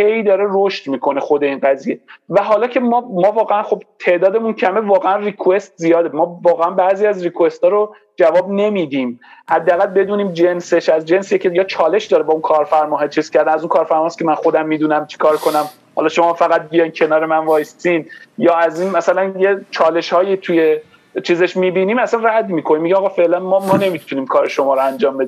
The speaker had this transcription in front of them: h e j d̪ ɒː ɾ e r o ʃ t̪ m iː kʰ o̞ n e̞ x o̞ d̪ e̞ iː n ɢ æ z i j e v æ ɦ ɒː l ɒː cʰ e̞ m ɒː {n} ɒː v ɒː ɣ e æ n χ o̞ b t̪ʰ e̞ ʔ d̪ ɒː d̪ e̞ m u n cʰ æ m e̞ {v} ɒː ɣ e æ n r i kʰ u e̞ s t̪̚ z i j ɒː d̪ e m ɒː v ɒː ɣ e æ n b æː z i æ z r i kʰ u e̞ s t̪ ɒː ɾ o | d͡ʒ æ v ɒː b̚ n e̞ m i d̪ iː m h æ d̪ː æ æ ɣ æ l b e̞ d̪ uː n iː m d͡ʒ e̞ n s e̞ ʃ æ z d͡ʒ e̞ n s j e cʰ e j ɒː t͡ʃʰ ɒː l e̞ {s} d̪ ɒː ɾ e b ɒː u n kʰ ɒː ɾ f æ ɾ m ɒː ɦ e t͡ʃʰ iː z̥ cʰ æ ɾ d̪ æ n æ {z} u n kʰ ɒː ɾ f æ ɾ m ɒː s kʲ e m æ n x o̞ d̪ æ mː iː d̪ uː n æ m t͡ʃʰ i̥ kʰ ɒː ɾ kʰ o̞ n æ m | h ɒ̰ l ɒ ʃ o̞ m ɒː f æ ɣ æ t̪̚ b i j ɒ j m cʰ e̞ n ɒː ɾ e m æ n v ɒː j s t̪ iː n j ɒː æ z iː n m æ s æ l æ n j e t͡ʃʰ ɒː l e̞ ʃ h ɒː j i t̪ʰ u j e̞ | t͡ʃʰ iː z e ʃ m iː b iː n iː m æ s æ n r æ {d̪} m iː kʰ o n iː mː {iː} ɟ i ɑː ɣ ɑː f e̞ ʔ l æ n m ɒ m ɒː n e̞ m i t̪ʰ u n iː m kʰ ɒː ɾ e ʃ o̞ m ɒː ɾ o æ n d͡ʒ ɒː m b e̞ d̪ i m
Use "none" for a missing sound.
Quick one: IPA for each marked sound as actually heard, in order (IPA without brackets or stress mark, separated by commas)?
m, v, ʃ, z, d̪, i